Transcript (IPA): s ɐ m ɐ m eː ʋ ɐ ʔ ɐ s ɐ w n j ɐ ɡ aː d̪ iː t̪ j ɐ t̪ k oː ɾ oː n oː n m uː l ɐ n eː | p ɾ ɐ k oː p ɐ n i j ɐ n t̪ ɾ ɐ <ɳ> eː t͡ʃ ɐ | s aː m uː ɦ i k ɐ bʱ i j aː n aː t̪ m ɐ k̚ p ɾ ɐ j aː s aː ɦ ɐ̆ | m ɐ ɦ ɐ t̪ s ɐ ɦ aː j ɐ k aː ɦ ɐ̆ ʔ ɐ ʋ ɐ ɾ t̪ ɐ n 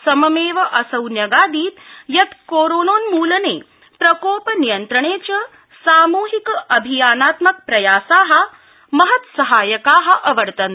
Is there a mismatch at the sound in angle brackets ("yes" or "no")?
no